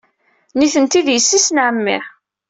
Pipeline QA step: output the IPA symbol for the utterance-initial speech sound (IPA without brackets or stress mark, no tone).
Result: n